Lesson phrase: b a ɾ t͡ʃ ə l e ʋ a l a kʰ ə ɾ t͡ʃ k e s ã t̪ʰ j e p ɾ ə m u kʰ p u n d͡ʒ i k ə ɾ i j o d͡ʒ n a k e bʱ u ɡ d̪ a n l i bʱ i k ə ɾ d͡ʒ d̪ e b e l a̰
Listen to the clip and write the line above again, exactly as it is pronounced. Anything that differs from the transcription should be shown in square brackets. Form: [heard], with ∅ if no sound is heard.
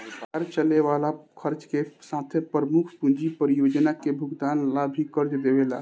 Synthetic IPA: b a ɾ t͡ʃ ə l e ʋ a l a kʰ ə ɾ t͡ʃ k e s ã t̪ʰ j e p ɾ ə m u kʰ p u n d͡ʒ i [p] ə ɾ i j o d͡ʒ n a k e bʱ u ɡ d̪ a n l [a] bʱ i k ə ɾ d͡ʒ d̪ e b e l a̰